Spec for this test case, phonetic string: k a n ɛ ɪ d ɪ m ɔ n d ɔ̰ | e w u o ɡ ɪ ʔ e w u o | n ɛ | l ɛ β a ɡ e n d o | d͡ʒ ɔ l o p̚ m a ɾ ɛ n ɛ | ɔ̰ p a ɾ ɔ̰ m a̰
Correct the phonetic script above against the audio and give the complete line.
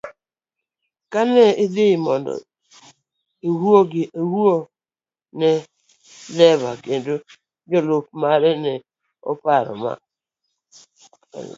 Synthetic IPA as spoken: k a n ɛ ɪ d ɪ m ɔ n d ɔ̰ | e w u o ɡ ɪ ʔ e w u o | n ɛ | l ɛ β a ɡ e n d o | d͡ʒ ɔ l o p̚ m a ɾ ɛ n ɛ | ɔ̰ p a ɾ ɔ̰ m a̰